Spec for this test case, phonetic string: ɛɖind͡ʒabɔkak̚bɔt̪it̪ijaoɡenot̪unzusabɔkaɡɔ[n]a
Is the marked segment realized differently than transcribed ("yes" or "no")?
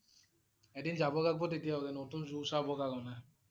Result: no